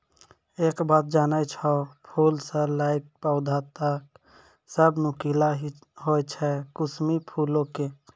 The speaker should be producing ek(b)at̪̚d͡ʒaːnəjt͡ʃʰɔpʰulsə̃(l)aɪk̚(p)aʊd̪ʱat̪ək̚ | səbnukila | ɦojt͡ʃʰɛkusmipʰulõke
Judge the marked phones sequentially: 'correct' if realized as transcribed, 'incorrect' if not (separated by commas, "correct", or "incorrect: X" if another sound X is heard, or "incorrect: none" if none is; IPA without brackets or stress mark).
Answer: correct, correct, correct